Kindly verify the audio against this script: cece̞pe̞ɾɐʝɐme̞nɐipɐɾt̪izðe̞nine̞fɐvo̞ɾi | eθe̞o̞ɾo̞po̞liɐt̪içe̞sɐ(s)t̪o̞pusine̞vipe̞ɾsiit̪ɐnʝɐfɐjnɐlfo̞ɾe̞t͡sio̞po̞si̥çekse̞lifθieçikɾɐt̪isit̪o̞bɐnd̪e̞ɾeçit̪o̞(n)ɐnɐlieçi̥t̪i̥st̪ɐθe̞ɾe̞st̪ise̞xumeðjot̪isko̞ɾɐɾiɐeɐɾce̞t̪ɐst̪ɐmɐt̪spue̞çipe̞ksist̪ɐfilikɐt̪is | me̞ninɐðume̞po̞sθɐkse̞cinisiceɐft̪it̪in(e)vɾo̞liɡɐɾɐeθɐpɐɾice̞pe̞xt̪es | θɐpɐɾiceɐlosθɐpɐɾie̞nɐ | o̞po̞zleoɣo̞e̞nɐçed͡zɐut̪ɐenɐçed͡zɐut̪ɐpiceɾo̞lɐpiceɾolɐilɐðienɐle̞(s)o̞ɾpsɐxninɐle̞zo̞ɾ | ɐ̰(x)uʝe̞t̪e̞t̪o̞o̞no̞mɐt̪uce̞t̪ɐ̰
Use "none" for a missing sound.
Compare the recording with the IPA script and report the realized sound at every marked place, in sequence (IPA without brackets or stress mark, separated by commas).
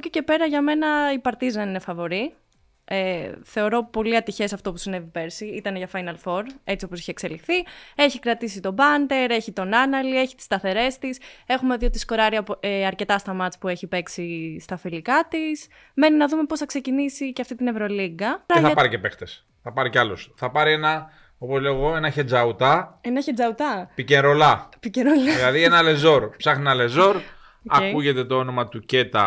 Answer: f, n, e, z, k